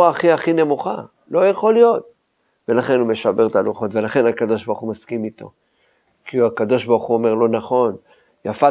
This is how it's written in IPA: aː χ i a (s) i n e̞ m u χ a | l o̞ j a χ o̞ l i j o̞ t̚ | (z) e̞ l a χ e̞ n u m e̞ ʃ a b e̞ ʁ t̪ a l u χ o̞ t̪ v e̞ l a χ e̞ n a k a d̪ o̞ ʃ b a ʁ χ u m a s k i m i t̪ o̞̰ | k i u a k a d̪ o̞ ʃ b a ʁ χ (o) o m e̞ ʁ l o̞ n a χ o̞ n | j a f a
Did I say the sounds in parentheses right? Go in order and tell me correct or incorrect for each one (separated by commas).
incorrect, incorrect, incorrect